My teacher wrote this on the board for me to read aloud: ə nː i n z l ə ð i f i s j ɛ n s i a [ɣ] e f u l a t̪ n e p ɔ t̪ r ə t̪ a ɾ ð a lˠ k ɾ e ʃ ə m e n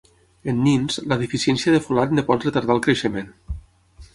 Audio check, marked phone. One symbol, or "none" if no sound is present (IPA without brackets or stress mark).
ð